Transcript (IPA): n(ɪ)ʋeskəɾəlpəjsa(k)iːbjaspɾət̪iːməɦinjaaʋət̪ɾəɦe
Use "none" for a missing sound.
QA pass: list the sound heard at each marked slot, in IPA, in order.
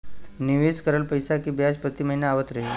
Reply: i, k

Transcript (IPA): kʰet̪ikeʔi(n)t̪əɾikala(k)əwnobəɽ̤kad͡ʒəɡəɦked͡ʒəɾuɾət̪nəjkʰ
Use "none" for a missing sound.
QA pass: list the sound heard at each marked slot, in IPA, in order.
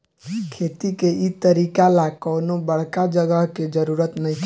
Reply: none, k

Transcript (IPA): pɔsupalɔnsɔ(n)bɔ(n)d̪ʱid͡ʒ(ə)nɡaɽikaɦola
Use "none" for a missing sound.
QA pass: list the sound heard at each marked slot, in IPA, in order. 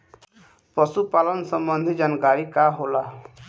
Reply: m, n, a

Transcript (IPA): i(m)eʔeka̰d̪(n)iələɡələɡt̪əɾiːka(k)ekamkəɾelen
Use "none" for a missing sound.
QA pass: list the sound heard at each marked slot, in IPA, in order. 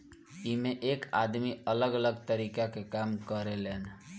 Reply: m, m, k

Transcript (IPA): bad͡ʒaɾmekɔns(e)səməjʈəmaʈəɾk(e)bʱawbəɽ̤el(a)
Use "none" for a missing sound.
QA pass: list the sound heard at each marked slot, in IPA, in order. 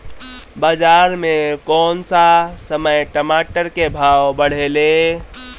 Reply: a, e, e

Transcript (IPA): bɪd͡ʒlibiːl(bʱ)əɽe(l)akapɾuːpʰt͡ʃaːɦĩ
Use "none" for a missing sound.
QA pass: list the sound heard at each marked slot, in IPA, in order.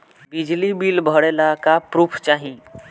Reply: bʱ, l

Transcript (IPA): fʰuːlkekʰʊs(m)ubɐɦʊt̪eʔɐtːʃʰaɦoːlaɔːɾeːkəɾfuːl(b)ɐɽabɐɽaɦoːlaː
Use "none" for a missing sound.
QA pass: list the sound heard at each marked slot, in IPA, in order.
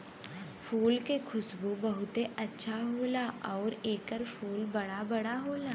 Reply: b, b

